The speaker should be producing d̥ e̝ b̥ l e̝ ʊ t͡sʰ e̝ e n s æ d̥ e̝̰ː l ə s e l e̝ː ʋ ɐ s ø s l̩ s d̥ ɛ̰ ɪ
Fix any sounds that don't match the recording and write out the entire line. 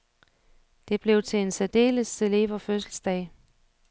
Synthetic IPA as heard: d̥ e̝ b̥ l e̝ ʊ t͡sʰ e̝ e n s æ d̥ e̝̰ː l ə s e l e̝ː ʋ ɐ f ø s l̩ s d̥ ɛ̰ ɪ